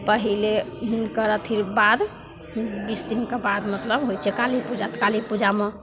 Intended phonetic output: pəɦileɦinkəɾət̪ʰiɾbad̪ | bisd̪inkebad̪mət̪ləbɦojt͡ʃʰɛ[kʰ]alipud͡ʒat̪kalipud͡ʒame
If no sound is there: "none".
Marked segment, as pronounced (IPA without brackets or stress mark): k